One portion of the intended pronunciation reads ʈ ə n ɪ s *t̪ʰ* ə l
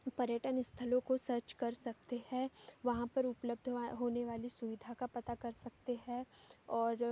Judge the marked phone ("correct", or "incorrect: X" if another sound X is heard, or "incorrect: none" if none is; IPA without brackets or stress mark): correct